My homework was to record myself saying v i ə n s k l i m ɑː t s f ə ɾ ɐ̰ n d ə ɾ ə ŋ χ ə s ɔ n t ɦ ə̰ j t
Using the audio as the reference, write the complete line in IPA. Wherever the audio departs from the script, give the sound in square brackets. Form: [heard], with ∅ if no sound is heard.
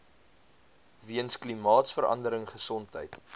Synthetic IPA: v i ə n s k l i m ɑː t s f ə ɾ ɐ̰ n d ə ɾ ə ŋ χ ə s ɔ n t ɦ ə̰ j t